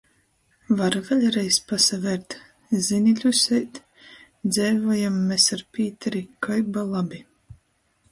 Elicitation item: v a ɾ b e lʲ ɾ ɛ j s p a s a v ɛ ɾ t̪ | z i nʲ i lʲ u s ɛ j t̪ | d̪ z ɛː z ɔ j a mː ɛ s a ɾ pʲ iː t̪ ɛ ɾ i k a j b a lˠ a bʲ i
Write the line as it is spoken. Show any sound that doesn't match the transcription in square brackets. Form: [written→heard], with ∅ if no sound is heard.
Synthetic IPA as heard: v a ɾ [b→v] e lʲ ɾ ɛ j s p a s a v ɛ ɾ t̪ | z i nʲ i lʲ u s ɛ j t̪ | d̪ z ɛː [z→v] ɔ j a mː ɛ s a ɾ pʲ iː t̪ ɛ ɾ i k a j b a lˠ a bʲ i